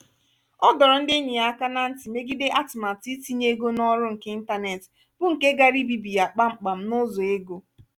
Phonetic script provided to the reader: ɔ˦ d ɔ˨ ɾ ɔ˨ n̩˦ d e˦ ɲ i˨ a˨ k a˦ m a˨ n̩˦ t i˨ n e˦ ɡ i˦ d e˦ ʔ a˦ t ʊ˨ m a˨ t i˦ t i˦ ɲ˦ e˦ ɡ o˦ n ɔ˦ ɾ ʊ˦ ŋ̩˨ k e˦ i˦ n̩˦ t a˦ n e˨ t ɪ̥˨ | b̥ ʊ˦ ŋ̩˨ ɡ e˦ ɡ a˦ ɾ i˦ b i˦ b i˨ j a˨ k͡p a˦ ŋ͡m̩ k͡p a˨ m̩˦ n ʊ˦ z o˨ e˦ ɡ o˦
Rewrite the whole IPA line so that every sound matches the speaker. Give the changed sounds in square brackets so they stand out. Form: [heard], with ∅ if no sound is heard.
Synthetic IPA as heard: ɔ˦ d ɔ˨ ɾ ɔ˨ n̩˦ d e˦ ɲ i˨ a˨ k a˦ [n] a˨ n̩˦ t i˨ [m] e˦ ɡ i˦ d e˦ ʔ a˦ t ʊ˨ m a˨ t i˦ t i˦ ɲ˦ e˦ ɡ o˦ n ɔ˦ ɾ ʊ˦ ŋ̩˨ k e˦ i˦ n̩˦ t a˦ n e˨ t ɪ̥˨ | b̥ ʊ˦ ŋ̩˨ [k] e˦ ɡ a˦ ɾ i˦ b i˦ b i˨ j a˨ k͡p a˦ ŋ͡m̩ k͡p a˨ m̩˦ n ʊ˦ z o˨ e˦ ɡ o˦